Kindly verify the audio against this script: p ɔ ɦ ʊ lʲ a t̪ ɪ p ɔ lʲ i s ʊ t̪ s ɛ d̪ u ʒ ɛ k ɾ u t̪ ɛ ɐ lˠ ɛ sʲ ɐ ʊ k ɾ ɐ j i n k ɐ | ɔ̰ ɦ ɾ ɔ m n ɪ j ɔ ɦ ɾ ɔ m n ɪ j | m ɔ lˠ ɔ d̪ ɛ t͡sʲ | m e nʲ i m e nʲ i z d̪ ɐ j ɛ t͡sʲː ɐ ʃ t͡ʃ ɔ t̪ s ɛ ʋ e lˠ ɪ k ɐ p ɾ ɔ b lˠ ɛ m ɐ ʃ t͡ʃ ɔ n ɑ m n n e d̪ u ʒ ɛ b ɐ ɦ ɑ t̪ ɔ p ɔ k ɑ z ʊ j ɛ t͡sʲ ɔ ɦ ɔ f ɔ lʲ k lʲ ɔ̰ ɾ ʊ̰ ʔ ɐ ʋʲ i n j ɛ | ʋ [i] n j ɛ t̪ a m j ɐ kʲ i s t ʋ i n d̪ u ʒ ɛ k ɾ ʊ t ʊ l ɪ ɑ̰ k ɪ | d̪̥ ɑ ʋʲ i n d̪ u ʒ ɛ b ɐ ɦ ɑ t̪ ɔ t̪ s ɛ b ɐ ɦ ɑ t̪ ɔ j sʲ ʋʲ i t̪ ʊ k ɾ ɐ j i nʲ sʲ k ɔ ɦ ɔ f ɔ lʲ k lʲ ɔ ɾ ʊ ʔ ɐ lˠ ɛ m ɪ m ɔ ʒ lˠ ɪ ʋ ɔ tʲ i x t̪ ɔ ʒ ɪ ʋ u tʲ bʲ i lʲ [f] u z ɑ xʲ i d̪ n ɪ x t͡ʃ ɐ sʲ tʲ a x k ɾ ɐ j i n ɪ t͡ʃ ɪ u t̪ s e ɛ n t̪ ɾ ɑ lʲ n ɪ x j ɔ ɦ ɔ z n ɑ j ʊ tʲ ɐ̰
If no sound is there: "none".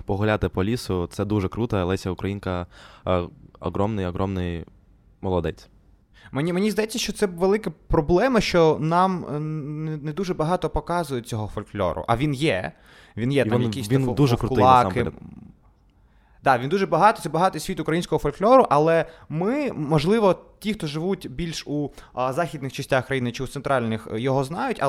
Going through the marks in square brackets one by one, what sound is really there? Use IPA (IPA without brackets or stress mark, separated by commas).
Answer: i, ʃ